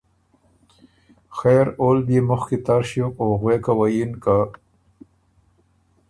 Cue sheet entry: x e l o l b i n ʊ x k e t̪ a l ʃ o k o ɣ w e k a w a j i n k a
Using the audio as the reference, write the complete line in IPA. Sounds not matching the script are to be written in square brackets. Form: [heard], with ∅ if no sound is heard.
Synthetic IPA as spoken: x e [ɾ] o l b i [m] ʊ x k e t̪ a [ɾ] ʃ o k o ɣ w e k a w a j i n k a

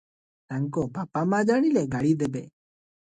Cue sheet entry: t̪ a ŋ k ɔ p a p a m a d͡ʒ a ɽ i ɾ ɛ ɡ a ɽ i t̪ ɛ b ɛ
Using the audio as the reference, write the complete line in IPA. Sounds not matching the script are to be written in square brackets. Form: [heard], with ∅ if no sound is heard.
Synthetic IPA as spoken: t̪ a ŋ k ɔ p a p a m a d͡ʒ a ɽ i [l] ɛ ɡ a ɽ i [d̪] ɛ b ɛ

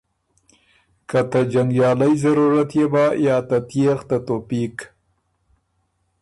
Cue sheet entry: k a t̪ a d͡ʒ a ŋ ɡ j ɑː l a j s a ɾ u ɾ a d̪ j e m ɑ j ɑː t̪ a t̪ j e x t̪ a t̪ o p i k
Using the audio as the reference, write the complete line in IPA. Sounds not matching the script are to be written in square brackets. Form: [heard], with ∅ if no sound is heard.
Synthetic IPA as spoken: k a t̪ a d͡ʒ a ŋ ɡ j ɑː l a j [z] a ɾ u ɾ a [t̪] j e [b] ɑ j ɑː t̪ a t̪ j e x t̪ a t̪ o p i k

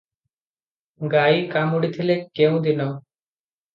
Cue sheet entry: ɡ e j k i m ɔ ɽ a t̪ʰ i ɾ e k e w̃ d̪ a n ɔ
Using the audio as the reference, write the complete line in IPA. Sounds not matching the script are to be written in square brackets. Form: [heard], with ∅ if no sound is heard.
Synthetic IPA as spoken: ɡ [a] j k [a] m [u] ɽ [i] t̪ʰ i [l] e k e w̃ d̪ [i] n ɔ

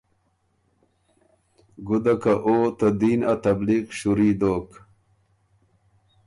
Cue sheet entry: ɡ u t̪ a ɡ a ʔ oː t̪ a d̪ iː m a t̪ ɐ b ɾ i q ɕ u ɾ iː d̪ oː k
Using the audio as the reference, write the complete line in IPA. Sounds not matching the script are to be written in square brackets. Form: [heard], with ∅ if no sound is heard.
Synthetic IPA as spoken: ɡ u [d̪] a [k] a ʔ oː t̪ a d̪ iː [n] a t̪ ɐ b [l] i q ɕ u ɾ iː d̪ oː k

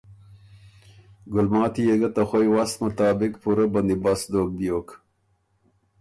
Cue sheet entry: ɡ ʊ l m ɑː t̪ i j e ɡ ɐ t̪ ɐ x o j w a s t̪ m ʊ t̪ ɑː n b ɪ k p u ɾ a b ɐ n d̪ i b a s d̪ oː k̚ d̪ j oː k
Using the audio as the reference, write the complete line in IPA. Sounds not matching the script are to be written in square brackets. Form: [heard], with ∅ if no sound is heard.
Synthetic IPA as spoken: ɡ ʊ l m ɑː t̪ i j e ɡ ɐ t̪ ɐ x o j w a s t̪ m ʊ t̪ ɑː [∅] b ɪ k p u ɾ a b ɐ n d̪ i b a s d̪ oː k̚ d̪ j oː k

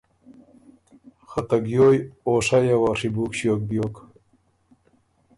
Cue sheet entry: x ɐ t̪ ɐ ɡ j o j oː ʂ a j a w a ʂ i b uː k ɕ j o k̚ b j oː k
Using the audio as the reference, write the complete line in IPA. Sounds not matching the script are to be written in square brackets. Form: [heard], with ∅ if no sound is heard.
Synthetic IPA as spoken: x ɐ t̪ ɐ ɡ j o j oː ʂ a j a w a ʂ i b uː k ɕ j o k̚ b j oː k

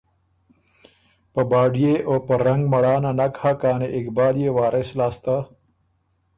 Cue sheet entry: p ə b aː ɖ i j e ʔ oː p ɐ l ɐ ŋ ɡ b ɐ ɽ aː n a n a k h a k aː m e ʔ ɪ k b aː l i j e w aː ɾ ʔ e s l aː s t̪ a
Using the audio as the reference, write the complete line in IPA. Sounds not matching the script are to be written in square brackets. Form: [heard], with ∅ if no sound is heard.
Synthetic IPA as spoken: p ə b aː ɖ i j e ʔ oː p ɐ [ɾ] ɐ ŋ ɡ [m] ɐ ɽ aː n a n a k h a k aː [n] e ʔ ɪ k b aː l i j e w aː ɾ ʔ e s l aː s t̪ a

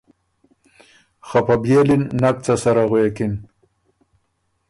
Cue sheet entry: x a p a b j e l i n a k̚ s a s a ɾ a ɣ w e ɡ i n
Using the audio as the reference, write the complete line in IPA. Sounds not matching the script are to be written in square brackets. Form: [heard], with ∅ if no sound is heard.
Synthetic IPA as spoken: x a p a b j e l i [nː] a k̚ [t͡s] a s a ɾ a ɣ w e [k] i n

